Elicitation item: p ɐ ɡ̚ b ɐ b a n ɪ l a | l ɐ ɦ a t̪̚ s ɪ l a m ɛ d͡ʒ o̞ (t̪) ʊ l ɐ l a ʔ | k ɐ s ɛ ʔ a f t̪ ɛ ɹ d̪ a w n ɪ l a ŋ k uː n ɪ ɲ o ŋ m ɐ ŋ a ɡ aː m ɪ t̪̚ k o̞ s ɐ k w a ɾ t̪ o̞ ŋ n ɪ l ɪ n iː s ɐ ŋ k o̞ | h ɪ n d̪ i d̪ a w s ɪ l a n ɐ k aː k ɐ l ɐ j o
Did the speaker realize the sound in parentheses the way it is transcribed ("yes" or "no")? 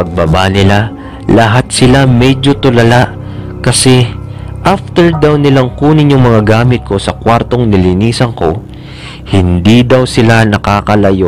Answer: yes